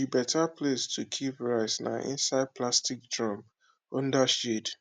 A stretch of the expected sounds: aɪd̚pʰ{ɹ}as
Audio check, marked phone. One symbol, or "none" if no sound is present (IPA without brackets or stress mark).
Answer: l